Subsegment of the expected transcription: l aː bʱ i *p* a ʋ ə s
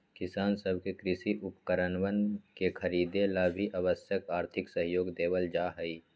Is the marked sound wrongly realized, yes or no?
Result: yes